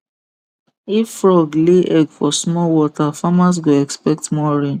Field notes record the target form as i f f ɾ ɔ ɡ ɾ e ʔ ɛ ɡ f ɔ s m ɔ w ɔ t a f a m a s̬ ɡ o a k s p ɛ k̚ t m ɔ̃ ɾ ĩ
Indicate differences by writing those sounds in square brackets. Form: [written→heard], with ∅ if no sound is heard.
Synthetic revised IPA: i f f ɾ ɔ ɡ [ɾ→l] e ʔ ɛ ɡ f ɔ s m ɔ w ɔ t a f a m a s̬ ɡ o [a→ɛ] k s p ɛ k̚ t m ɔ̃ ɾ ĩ